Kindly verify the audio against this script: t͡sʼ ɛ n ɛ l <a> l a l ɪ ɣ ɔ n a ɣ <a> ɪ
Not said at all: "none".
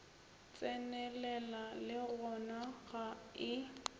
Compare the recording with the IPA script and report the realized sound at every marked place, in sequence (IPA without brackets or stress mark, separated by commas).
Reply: ɛ, a